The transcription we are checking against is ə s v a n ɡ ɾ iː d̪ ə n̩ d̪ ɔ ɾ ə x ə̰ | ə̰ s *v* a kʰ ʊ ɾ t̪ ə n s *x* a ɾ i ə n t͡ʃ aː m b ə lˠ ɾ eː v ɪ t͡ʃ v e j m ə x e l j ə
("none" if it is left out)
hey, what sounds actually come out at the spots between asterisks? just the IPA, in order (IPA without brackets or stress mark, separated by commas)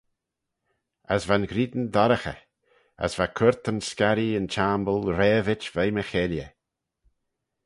v, k